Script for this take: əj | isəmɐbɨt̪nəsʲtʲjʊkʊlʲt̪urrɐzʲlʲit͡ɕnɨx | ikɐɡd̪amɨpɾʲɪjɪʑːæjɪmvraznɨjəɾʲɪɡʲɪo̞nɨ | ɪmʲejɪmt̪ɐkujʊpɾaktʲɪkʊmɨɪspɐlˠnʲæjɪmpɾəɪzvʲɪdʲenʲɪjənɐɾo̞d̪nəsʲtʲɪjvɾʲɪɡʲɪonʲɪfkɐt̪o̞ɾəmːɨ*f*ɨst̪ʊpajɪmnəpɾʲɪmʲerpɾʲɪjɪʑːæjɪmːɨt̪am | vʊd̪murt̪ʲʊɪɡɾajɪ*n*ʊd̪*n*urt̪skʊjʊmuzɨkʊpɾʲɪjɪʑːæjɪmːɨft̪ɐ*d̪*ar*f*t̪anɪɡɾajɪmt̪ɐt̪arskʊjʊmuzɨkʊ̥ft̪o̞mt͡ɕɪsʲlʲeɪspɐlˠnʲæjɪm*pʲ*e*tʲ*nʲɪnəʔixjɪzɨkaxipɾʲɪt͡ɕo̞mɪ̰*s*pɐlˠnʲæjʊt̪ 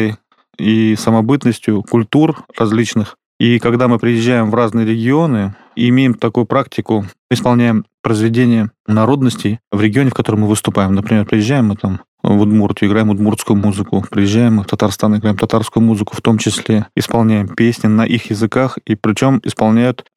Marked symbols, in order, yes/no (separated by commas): no, no, no, no, no, yes, no, yes